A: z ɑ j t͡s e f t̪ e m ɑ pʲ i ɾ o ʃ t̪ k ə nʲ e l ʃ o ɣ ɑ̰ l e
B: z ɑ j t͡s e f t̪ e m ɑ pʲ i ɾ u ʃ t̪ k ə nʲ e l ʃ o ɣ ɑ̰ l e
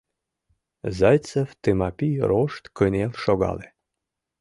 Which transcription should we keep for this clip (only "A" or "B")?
A